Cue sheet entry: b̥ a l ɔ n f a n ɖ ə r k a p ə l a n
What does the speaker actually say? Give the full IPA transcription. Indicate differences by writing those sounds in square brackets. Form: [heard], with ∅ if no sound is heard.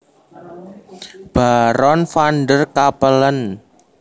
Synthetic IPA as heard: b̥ a [ɾ] ɔ n f a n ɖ ə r k a p ə l [ə] n